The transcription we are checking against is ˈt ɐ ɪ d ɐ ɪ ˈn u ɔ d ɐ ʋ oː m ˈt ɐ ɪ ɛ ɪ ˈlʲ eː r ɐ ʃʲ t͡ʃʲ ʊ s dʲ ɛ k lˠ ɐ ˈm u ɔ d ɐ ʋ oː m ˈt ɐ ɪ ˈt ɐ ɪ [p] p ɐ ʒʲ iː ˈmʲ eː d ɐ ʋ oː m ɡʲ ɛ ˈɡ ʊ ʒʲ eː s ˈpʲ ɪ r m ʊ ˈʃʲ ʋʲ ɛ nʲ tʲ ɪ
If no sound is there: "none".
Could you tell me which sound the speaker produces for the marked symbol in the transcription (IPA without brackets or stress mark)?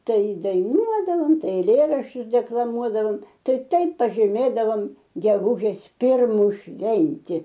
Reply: p